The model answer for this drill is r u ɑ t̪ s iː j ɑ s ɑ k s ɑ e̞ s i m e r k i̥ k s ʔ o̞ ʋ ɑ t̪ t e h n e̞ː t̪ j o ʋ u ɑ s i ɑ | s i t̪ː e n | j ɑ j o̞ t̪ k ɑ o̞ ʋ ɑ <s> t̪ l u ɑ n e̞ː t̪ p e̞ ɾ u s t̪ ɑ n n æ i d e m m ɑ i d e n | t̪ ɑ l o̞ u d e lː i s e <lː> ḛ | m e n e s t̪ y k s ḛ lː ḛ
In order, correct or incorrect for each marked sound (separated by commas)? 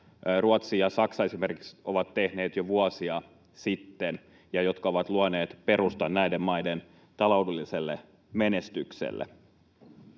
incorrect, correct